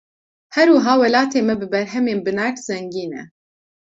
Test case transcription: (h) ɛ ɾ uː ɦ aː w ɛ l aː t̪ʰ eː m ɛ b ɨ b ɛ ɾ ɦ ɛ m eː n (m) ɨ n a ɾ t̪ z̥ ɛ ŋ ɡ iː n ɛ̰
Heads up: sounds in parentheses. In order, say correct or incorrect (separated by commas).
correct, incorrect